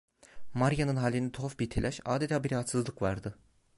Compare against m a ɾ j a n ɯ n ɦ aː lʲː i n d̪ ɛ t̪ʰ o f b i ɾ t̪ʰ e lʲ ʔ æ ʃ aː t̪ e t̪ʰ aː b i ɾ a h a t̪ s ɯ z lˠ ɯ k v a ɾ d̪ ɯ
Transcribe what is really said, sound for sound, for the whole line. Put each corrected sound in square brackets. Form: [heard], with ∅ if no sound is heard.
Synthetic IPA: m a ɾ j a n ɯ n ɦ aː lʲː i n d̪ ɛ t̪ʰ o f b i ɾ t̪ʰ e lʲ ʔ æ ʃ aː [d̪] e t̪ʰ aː b i ɾ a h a t̪ s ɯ z lˠ ɯ k v a ɾ d̪ ɯ

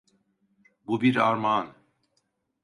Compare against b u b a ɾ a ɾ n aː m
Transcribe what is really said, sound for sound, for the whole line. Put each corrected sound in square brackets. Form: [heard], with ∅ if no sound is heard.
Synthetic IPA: b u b [i] ɾ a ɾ [m] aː [n]

